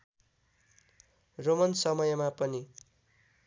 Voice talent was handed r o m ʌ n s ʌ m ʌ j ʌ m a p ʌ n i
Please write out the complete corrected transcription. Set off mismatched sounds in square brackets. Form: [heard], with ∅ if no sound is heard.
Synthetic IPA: r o m ʌ n s ʌ m ʌ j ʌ m a p ʌ n i

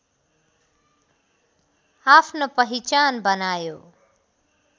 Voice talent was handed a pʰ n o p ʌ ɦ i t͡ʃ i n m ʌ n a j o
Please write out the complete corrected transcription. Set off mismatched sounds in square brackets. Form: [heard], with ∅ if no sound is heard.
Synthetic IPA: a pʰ n o p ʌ ɦ i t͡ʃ [a] n [b] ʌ n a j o

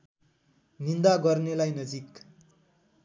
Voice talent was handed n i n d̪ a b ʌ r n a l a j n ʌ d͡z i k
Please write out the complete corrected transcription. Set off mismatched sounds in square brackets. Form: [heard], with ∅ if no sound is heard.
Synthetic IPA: n i n d̪ a [ɡ] ʌ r n [e] l a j n ʌ d͡z i k

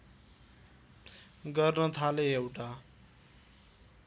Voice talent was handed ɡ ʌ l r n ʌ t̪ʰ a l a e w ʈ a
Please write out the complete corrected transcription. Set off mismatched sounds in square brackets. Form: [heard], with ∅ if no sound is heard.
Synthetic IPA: ɡ ʌ [∅] r n ʌ t̪ʰ a l [e] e w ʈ a

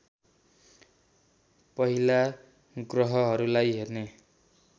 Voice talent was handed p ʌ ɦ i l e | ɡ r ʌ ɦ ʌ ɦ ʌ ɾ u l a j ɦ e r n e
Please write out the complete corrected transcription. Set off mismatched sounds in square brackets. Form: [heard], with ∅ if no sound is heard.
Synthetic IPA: p ʌ ɦ i l [a] | ɡ r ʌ ɦ ʌ ɦ ʌ ɾ u l a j ɦ e r n e

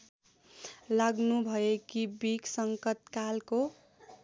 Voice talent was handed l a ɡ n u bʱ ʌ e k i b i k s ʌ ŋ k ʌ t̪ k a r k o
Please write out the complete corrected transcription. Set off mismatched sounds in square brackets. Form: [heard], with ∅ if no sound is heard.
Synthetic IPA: l a ɡ n u bʱ ʌ e k i b i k s ʌ ŋ k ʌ t̪ k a [l] k o

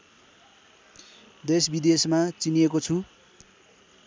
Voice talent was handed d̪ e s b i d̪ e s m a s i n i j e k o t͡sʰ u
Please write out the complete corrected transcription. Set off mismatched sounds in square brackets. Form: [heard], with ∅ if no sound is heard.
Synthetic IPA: d̪ e s b i d̪ e s m a [t͡s] i n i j e k o t͡sʰ u

